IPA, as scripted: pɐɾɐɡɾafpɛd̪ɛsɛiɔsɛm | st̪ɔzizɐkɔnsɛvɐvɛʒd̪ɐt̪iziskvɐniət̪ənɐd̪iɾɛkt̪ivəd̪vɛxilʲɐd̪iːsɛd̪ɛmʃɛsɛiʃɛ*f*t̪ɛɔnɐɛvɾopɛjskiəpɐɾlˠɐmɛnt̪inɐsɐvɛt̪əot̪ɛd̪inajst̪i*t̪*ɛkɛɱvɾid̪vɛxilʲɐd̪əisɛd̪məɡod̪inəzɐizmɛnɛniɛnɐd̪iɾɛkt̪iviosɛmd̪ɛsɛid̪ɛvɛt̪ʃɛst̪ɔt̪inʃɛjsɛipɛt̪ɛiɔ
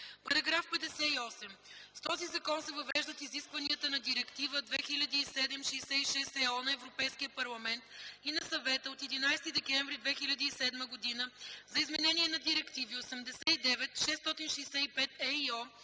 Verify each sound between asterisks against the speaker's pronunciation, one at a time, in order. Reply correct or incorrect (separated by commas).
incorrect, incorrect